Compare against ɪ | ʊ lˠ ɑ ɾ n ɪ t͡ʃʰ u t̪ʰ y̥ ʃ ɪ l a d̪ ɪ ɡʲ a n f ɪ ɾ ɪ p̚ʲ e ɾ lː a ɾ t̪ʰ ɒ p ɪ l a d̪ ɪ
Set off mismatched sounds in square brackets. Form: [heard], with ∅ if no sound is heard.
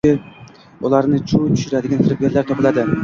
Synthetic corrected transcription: ɪ | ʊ lˠ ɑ ɾ n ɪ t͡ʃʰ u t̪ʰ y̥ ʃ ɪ [ɾ] a d̪ ɪ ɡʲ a n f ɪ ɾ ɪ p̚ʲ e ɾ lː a ɾ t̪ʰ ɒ p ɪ l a d̪ ɪ